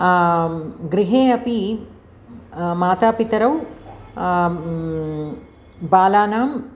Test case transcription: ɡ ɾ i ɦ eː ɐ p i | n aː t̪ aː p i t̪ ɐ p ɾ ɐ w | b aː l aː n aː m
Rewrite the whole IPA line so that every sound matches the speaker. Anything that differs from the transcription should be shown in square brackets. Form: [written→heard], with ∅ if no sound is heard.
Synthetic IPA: ɡ ɾ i ɦ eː ɐ p i | [n→m] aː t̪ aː p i t̪ ɐ [p→∅] ɾ ɐ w | b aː l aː n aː m